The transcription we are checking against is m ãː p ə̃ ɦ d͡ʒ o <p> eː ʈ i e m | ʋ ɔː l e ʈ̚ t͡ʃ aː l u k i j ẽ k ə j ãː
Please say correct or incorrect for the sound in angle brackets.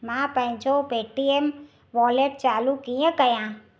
correct